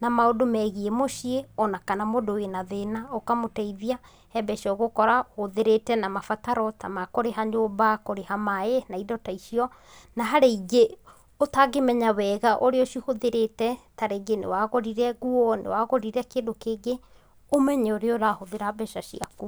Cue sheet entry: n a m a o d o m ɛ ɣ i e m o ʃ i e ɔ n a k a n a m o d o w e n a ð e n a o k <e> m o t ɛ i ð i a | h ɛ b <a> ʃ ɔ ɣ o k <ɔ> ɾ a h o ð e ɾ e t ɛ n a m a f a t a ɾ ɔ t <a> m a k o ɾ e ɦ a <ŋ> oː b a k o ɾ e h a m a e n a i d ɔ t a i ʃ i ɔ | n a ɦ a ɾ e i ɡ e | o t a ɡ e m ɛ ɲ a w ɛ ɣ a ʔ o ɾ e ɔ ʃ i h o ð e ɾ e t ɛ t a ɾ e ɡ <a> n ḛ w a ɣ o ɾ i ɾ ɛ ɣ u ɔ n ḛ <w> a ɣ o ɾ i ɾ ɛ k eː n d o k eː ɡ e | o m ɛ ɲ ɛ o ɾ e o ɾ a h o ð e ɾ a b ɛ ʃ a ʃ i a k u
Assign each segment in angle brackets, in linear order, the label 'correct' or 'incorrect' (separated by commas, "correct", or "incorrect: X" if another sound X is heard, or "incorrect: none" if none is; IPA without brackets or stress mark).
incorrect: a, incorrect: ɛ, correct, correct, incorrect: ɲ, incorrect: e, correct